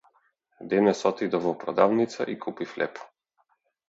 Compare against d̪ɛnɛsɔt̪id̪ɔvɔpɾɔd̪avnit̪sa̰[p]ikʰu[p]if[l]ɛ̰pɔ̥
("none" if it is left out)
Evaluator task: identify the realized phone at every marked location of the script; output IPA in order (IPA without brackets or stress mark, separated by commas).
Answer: ʔ, p, l